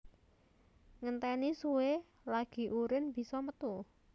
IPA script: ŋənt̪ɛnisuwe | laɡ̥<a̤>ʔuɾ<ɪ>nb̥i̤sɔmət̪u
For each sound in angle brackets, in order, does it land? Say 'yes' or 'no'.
no, yes

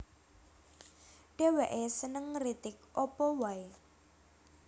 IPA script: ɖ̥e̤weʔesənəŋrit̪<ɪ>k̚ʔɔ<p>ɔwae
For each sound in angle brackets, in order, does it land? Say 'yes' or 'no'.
yes, yes

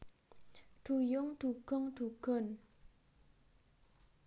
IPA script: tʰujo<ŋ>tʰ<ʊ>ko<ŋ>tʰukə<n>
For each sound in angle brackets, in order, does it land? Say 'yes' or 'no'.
yes, no, yes, yes

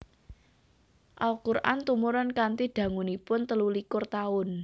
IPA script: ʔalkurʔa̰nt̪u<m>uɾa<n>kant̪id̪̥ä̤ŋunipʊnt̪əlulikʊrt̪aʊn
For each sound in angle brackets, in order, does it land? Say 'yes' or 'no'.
yes, yes

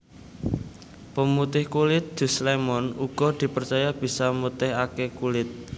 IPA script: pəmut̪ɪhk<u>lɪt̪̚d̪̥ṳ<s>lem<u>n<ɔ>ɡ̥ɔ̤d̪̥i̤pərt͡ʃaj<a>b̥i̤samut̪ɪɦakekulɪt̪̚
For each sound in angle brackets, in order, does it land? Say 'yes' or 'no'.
yes, yes, no, no, yes

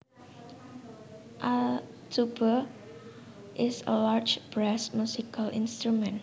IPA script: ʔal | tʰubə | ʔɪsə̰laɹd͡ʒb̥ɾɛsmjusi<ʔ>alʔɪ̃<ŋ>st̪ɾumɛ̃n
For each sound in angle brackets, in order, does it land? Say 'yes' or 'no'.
no, no

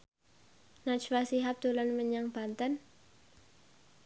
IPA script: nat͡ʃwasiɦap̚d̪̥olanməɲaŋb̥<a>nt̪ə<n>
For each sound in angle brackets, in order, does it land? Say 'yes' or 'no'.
yes, yes

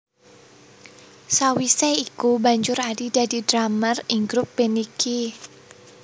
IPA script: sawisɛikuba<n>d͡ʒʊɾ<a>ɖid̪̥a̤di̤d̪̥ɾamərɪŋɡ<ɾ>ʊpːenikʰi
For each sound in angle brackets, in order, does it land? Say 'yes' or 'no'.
no, yes, yes

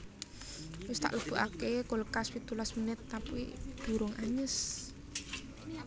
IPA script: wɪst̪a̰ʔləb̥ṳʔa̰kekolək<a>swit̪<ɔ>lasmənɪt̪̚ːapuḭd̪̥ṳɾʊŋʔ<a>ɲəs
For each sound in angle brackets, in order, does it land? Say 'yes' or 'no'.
yes, no, yes

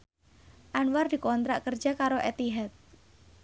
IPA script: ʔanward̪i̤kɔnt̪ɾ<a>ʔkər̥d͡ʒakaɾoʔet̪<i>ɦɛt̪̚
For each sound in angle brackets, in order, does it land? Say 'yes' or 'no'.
yes, yes

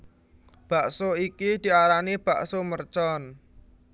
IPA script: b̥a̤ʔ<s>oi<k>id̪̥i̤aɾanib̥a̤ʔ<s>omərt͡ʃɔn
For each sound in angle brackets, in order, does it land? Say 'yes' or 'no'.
yes, yes, yes

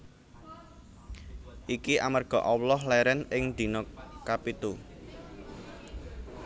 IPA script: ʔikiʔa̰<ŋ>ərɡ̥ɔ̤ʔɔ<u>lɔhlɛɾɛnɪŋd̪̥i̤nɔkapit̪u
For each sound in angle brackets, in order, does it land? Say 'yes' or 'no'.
no, no

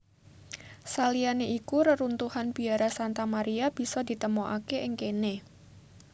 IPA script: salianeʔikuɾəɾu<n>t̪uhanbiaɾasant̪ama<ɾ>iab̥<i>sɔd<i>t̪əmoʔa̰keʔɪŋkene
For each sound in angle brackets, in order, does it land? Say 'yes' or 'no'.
yes, yes, yes, yes

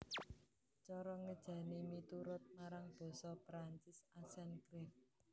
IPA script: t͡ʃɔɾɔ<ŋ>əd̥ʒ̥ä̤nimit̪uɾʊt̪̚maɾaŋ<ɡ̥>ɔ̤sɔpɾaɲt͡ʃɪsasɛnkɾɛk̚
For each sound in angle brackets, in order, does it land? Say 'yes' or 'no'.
yes, no

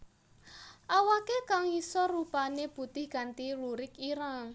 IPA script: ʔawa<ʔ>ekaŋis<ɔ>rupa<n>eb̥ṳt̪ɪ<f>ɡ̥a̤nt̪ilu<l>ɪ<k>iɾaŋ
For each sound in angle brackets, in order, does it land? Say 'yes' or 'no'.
no, yes, yes, no, no, yes

